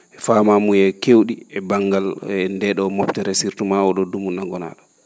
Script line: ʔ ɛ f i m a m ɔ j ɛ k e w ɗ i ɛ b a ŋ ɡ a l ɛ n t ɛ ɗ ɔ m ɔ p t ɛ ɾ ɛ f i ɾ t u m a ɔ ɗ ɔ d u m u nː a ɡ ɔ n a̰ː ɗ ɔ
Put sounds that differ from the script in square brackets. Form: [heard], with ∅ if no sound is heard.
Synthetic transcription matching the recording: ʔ ɛ f [a] m a m [u] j ɛ k e w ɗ i ɛ b a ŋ ɡ a l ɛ n [d] ɛ ɗ ɔ m ɔ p t ɛ ɾ ɛ [s] i ɾ t u m a ɔ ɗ ɔ d u m u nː a ɡ ɔ n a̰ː ɗ ɔ